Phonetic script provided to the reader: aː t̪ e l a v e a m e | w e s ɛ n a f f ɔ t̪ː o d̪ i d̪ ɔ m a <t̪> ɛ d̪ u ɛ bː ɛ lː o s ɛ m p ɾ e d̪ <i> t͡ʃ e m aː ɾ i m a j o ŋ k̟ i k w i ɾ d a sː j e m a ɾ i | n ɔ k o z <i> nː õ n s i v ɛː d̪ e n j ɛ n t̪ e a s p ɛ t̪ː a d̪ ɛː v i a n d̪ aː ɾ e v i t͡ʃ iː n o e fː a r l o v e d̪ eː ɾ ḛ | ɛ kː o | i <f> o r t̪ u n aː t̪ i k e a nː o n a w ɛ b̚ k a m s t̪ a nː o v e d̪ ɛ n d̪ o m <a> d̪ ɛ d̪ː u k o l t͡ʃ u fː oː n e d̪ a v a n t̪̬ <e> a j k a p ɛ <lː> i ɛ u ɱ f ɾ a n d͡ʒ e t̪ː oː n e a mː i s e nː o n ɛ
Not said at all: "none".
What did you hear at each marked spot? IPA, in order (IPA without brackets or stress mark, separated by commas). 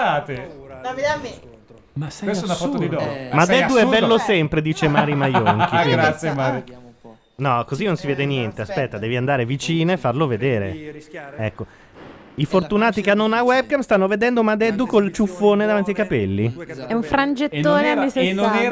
d̪, iː, i, f, a, i, lː